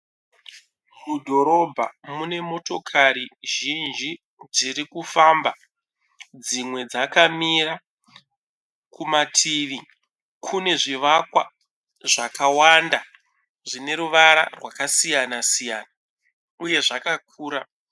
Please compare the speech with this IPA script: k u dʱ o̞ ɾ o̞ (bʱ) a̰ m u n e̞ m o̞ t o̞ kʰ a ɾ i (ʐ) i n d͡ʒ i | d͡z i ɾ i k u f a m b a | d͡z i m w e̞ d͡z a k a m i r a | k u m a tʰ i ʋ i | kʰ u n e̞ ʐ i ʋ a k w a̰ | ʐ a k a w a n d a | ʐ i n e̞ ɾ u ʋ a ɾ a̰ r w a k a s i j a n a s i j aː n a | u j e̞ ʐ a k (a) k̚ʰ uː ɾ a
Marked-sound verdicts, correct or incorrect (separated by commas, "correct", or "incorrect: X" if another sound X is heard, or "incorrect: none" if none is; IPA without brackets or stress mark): correct, incorrect: ʒ, correct